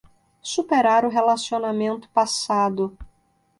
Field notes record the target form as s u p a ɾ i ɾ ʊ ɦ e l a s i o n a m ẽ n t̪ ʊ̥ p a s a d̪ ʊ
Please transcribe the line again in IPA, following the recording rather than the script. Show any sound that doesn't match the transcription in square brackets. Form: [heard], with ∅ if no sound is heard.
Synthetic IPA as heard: s u p [e] ɾ [a] ɾ ʊ ɦ e l a s i o n a m ẽ n t̪ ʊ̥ p a s a d̪ ʊ